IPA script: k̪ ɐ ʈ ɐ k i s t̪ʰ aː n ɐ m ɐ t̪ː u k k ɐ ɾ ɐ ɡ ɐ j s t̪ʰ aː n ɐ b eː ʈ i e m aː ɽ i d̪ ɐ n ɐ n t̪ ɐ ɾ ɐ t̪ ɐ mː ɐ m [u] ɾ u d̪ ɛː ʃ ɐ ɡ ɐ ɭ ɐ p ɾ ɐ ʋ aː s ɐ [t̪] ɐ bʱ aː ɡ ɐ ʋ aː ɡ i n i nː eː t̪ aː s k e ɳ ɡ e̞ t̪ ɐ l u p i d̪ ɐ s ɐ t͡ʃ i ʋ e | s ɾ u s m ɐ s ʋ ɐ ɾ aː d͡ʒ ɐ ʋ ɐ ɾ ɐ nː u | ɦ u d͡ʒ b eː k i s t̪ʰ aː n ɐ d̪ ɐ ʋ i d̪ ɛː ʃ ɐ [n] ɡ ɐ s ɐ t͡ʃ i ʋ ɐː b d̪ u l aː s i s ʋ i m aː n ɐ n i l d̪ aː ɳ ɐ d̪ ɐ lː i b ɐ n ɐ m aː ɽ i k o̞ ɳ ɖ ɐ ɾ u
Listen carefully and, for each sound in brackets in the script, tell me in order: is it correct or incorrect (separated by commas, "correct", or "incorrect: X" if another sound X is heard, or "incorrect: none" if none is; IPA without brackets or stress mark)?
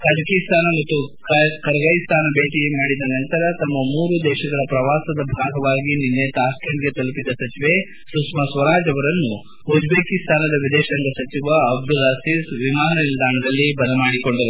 incorrect: uː, incorrect: d̪, incorrect: ŋ